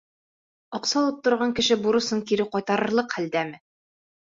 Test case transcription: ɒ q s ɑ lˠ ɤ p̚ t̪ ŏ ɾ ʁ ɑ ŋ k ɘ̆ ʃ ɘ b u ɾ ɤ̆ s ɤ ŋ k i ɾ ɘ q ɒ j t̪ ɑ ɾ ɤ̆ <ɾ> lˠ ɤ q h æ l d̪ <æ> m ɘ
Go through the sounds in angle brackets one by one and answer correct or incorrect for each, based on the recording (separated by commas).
correct, correct